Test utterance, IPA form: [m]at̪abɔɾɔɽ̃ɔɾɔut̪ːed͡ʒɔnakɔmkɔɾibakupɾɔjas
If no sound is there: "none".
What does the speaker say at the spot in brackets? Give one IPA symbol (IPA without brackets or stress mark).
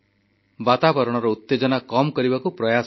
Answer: b